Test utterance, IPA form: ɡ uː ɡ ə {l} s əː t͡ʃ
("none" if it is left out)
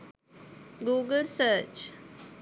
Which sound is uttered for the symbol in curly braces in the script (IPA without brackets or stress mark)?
l